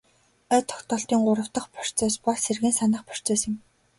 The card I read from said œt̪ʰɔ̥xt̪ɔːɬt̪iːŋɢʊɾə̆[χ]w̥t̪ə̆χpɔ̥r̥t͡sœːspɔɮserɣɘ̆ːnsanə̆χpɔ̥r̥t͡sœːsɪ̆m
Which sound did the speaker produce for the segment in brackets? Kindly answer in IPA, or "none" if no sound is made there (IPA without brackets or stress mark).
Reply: none